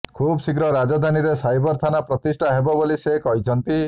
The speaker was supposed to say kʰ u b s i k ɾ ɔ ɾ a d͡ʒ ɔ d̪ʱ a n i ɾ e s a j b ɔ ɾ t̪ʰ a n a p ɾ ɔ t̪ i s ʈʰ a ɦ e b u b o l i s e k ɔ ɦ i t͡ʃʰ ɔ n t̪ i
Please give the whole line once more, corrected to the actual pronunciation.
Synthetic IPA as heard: kʰ u b s i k ɾ ɔ ɾ a d͡ʒ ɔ d̪ʱ a n i ɾ e s a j b ɔ ɾ t̪ʰ a n a p ɾ ɔ t̪ i s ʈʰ a ɦ e b ɔ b o l i s e k ɔ ɦ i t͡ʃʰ ɔ n t̪ i